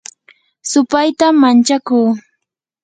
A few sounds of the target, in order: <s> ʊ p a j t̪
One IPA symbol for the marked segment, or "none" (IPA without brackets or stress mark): s